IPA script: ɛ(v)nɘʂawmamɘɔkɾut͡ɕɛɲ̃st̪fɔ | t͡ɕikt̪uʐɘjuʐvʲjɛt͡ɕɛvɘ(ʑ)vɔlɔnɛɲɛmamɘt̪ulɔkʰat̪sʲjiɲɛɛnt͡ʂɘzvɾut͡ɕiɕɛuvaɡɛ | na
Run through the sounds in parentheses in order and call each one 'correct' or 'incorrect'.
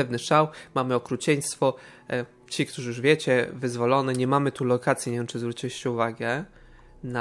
correct, incorrect: z

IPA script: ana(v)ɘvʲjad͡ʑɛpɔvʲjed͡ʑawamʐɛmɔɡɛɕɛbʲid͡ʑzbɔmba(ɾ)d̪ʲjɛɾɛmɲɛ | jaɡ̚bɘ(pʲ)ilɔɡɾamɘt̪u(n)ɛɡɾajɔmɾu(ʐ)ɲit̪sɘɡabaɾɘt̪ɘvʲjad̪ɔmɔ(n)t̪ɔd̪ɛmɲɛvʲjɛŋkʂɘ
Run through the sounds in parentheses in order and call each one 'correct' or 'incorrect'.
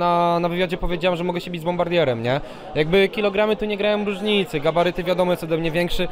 correct, correct, incorrect: kʲ, incorrect: ɲ, correct, incorrect: none

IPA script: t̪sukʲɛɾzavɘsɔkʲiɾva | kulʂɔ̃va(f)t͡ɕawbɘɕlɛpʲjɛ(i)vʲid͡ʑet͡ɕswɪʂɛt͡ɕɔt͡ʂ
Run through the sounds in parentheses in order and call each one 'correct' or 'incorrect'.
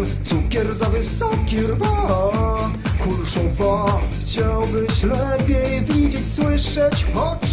incorrect: x, incorrect: j

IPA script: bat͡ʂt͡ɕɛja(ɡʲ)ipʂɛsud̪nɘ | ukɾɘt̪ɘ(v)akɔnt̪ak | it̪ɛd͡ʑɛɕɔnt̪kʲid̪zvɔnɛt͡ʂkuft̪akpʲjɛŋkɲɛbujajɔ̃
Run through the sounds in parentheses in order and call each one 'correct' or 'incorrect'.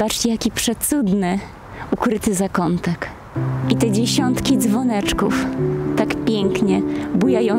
incorrect: kʲ, incorrect: z

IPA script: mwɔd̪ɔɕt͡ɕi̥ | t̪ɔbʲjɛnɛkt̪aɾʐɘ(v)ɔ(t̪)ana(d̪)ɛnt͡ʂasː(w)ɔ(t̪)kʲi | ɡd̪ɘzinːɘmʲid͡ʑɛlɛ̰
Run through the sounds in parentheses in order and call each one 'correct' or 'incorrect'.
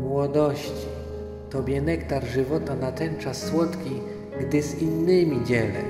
correct, correct, incorrect: t̪, correct, correct

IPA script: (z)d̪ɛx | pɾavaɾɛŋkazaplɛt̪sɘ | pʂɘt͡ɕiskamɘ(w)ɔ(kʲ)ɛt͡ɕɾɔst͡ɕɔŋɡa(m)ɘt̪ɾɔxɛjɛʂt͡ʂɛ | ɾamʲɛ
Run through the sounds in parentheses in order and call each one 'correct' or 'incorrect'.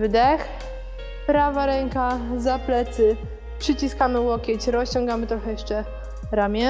incorrect: v, correct, correct, correct

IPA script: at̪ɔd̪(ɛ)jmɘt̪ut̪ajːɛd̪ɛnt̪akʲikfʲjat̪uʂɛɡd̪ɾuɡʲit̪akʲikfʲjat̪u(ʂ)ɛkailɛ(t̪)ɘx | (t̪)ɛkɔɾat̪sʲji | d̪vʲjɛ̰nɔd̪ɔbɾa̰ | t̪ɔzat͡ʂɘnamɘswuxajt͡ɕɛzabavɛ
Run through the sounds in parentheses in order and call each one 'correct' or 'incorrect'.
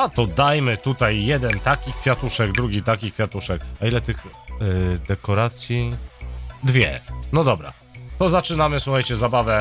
incorrect: a, correct, correct, incorrect: d̪

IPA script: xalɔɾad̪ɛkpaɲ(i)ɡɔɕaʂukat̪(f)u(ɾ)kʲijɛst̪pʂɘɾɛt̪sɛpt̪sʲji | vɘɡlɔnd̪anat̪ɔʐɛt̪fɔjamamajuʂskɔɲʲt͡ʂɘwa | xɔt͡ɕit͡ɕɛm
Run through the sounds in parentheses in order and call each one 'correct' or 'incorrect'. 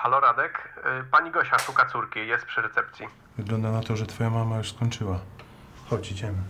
correct, incorrect: s, correct

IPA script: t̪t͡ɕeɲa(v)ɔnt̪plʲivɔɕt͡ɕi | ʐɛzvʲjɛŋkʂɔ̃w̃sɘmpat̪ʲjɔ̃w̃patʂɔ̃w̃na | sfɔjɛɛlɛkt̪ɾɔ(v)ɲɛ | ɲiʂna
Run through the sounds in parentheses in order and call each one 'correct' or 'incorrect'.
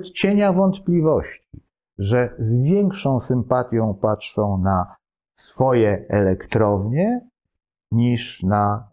correct, correct

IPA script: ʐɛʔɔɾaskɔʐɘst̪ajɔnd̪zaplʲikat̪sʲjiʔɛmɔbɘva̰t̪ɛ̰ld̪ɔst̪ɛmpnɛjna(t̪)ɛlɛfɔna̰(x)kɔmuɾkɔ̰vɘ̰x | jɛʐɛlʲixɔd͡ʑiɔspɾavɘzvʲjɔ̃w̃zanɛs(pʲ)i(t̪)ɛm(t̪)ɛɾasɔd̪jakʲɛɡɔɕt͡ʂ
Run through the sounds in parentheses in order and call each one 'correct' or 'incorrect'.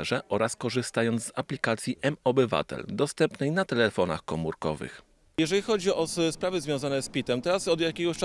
correct, correct, correct, correct, correct

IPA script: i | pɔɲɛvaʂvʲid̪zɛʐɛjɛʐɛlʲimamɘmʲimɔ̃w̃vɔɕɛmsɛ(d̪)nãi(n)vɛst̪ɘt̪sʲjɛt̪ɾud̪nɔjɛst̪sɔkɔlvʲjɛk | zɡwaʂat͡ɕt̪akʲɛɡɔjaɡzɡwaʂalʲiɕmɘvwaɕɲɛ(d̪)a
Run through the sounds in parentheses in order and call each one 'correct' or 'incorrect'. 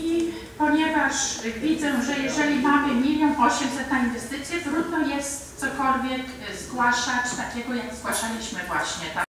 incorrect: t̪, correct, incorrect: t̪

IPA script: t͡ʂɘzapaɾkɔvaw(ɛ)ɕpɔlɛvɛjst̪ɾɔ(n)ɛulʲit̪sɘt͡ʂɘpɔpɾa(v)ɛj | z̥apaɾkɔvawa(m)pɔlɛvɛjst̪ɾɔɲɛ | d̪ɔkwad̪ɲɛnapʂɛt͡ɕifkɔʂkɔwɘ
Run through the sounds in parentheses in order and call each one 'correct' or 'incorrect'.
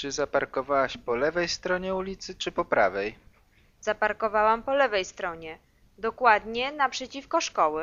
incorrect: a, incorrect: ɲ, correct, correct

